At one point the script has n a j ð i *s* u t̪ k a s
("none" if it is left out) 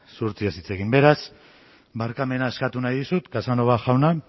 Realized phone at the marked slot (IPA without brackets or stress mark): s